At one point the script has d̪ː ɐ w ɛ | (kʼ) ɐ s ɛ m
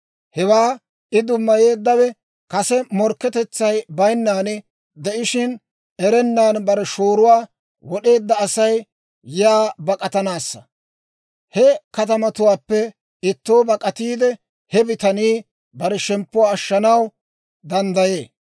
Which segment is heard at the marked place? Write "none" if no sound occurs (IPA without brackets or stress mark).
k